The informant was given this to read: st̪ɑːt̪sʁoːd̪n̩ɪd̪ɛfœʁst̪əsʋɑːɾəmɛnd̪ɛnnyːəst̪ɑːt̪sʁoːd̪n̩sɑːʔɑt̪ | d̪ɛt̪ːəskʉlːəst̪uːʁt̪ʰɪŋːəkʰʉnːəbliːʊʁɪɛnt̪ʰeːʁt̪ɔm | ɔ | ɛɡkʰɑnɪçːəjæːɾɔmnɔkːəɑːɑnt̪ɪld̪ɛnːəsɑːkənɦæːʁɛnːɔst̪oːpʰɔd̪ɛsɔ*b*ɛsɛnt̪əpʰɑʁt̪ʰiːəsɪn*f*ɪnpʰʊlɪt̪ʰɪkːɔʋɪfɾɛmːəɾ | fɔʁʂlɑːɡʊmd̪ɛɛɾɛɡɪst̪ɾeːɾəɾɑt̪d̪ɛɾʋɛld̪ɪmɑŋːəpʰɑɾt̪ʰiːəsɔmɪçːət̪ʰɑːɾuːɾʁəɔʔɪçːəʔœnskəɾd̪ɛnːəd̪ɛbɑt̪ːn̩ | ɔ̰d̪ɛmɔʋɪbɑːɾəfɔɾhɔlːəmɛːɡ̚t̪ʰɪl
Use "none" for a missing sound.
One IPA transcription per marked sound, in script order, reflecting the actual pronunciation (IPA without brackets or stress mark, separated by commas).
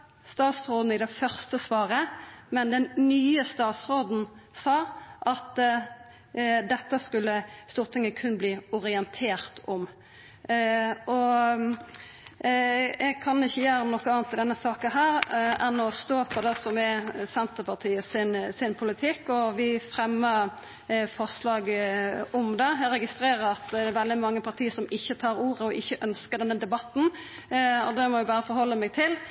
m, s